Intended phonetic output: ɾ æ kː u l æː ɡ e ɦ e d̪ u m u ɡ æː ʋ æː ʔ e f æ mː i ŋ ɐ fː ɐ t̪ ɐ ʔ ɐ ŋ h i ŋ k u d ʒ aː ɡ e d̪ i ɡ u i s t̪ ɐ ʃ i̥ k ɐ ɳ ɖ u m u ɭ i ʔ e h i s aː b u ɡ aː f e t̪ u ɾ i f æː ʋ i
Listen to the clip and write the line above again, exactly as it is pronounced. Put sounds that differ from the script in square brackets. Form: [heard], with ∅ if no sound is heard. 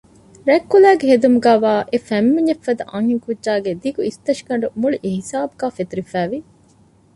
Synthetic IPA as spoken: ɾ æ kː u l æː ɡ e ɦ e d̪ u m u ɡ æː ʋ [aː] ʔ e f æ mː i [ɲ] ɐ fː ɐ [d̪] ɐ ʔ ɐ ŋ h i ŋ k u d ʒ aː ɡ e d̪ i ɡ u i s t̪ ɐ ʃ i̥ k ɐ ɳ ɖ u m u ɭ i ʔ e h i s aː b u ɡ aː f e t̪ u ɾ i f æː ʋ i